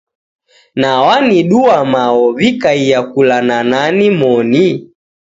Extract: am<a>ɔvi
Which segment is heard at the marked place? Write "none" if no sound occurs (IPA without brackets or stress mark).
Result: a